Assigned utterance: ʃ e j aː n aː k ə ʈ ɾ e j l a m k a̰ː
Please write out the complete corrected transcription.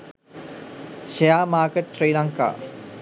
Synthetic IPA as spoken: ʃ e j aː m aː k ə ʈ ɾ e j l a ŋ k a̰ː